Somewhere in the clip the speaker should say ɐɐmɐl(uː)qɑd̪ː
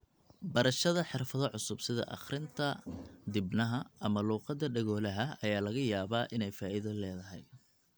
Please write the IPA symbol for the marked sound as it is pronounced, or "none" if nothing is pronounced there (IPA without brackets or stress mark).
uː